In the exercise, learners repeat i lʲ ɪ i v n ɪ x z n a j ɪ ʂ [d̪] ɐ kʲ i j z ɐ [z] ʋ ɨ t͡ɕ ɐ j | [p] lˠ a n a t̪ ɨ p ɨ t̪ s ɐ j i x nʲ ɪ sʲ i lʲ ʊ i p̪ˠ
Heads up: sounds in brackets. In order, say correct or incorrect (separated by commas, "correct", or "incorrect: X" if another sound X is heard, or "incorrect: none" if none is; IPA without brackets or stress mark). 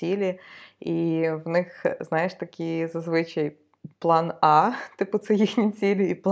incorrect: t̪, correct, correct